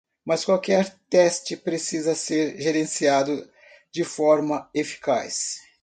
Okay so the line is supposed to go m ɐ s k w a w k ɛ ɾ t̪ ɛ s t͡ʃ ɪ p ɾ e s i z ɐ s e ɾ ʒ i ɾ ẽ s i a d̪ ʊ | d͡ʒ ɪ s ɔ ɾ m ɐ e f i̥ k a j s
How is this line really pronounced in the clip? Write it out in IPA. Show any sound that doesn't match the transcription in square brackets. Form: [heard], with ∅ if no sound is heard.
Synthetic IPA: m ɐ s k w a w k ɛ ɾ t̪ ɛ s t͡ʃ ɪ p ɾ e s i z ɐ s e ɾ ʒ [e] ɾ ẽ s i a d̪ ʊ | d͡ʒ ɪ [f] ɔ ɾ m ɐ e f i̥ k a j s